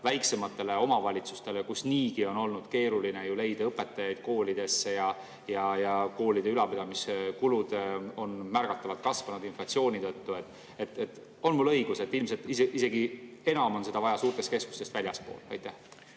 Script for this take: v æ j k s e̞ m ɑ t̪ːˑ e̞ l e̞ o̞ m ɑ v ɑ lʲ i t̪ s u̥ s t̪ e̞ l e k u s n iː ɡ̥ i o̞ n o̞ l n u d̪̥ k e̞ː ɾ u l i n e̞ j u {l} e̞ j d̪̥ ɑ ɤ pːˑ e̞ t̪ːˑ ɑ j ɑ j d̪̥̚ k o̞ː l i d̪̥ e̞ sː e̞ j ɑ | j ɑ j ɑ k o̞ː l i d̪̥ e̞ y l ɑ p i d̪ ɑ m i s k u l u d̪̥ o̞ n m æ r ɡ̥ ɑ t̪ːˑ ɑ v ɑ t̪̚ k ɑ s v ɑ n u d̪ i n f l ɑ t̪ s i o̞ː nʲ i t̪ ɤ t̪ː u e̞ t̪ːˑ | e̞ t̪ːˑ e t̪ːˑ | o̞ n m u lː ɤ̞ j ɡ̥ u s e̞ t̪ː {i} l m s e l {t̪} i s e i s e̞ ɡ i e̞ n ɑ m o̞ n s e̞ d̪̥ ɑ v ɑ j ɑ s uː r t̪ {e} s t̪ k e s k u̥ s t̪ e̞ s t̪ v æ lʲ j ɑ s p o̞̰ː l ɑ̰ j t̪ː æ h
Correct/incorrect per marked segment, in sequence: correct, correct, correct, correct

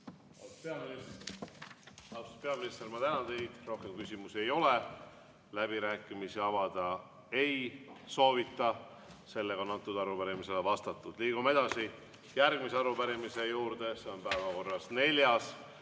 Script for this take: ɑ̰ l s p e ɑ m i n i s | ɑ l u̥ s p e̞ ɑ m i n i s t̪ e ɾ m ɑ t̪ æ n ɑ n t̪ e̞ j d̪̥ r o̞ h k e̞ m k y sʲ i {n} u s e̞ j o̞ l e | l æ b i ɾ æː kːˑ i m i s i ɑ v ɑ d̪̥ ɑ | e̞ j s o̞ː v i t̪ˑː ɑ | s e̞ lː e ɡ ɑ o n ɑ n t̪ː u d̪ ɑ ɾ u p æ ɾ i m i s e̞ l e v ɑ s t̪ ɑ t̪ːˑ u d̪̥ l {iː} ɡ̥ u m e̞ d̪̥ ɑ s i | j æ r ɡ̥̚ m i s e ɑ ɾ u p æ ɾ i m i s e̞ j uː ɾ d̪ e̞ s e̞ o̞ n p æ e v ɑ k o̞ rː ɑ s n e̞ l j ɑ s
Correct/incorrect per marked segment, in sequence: incorrect: m, correct

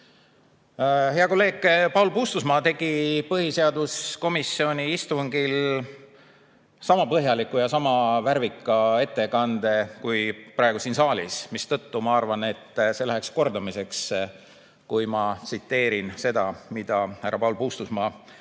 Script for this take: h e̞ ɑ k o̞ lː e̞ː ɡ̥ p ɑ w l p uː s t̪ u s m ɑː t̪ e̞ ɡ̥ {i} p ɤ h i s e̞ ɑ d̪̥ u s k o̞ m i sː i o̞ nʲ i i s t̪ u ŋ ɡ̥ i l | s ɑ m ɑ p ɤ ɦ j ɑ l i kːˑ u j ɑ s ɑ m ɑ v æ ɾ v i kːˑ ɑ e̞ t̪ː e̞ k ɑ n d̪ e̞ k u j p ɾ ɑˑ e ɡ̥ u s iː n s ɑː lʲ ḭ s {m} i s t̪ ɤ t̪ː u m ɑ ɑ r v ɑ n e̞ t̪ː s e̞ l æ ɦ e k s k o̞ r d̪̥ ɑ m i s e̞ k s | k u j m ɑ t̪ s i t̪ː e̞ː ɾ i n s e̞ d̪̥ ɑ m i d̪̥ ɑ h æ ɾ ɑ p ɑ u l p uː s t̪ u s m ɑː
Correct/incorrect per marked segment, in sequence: correct, correct

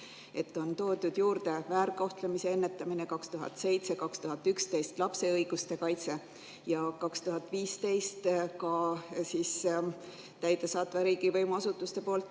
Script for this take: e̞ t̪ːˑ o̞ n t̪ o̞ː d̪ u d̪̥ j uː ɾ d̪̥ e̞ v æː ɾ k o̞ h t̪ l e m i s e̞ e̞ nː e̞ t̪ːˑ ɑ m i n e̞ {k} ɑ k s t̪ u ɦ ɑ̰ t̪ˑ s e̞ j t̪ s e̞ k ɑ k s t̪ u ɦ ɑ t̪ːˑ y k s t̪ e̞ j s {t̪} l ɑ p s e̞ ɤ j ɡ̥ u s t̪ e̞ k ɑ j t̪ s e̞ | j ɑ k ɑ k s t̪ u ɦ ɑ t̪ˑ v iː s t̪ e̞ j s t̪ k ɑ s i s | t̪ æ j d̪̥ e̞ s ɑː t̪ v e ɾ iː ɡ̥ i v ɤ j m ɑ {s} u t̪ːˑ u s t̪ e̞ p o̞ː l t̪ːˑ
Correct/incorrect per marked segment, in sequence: correct, correct, correct

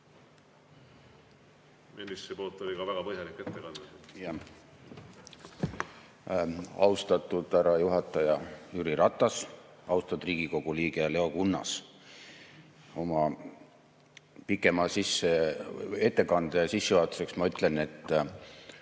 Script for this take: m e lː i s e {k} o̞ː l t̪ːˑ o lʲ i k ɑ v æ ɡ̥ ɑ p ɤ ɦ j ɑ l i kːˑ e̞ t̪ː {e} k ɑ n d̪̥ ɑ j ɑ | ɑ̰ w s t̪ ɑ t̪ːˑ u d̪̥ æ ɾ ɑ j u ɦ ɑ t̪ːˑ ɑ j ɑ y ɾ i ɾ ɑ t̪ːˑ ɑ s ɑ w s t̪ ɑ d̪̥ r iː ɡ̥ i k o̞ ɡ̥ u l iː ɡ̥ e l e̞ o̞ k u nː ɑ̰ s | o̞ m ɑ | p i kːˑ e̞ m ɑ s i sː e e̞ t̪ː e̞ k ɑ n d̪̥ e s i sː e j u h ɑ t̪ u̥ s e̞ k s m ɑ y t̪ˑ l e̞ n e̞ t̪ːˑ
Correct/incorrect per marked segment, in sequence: incorrect: p, correct

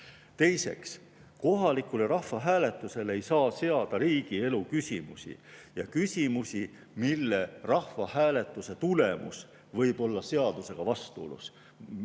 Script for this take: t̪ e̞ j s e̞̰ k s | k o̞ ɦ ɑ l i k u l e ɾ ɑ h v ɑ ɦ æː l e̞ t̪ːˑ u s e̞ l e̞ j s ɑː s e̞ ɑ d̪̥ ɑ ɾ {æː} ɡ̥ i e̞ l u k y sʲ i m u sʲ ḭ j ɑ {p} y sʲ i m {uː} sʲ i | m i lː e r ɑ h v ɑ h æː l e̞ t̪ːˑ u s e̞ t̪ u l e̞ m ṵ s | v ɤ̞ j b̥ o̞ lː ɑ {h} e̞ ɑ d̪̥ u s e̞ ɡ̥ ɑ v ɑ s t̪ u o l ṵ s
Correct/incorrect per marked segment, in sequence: incorrect: iː, incorrect: k, incorrect: u, incorrect: s

